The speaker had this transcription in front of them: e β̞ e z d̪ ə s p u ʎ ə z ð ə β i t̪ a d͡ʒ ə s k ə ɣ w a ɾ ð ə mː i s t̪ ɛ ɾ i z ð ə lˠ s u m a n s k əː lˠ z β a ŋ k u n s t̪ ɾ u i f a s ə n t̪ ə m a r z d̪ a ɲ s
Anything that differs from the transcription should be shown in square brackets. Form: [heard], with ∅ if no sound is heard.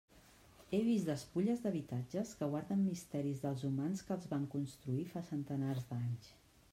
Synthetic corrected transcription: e β̞ [i] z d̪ ə s p u ʎ ə z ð ə β i t̪ a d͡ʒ ə s k ə ɣ w a ɾ ð ə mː i s t̪ ɛ ɾ i z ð ə lˠ [z] u m a n s k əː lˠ z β a ŋ k u n s t̪ ɾ u i f a s ə n t̪ ə [n] a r z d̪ a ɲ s